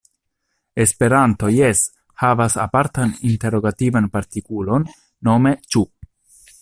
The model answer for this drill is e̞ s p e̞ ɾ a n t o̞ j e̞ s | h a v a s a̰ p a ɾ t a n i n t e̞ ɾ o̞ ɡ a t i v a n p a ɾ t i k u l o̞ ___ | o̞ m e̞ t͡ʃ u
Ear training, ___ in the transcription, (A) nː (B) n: A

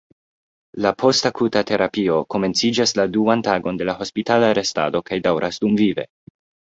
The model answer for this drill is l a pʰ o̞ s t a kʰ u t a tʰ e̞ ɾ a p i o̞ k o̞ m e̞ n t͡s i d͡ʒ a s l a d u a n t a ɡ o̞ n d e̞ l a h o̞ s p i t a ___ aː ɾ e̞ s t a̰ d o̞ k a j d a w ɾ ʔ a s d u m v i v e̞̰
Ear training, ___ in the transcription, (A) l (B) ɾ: A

